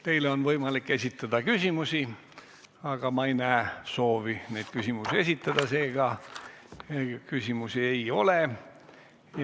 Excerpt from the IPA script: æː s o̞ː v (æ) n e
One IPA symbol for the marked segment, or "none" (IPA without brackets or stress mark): i